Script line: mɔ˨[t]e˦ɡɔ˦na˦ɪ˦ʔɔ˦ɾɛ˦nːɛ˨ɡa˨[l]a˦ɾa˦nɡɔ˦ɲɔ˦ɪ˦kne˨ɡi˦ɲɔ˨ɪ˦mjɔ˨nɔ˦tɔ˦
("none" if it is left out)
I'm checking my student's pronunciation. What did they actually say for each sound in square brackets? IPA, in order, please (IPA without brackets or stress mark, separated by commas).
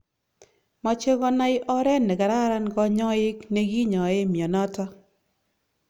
t͡ʃ, ɾ